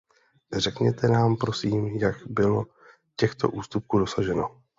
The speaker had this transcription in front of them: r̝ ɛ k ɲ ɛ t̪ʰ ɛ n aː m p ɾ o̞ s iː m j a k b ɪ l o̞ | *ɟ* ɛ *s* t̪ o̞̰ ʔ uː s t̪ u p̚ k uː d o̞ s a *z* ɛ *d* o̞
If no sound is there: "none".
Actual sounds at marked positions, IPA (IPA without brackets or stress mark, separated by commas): c, x, ʒ, n